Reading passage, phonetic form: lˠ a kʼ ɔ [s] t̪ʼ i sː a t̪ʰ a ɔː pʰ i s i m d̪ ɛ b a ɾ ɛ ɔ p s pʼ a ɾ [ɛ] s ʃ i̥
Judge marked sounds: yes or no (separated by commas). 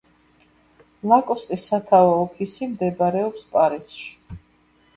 yes, no